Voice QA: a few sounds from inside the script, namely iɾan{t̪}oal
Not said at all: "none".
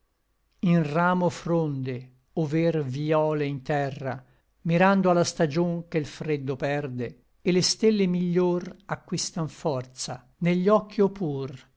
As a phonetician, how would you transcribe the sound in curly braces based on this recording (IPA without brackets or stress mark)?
d̪